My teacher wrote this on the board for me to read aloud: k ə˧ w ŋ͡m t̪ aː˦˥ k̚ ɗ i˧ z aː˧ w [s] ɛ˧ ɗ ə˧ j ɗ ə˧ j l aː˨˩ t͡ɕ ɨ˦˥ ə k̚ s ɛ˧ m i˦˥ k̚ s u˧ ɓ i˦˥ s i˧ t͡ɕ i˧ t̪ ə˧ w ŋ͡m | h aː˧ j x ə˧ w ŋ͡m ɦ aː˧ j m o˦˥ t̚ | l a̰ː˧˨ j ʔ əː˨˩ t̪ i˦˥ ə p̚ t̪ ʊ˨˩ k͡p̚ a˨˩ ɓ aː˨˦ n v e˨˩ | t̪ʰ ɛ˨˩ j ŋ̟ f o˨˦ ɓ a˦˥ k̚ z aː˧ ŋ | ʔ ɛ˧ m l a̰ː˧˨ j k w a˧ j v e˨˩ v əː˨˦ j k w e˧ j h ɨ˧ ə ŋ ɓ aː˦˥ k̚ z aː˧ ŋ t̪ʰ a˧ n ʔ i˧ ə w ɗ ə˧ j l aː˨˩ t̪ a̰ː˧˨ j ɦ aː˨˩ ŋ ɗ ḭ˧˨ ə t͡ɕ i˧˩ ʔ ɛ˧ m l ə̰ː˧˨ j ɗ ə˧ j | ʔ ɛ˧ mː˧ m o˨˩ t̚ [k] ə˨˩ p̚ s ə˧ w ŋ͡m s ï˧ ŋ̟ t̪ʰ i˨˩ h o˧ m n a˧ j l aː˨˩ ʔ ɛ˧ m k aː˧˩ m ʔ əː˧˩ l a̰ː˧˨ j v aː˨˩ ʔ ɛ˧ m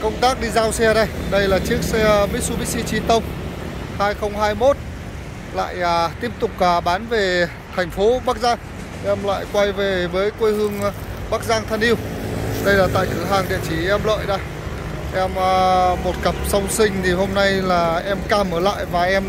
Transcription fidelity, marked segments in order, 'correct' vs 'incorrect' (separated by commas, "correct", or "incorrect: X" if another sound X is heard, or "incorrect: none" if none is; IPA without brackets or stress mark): correct, correct